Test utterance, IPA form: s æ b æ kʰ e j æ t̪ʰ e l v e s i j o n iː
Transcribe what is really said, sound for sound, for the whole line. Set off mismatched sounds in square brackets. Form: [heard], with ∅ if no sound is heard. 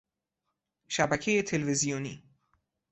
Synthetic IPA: [ʃ] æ b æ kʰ e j [e] t̪ʰ e l v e [z] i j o n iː